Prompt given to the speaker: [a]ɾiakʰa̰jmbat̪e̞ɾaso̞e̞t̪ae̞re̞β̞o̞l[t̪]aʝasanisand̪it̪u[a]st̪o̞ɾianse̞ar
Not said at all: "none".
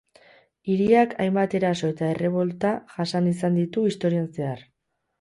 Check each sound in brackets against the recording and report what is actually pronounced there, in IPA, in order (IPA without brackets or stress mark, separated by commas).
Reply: i, t̪, i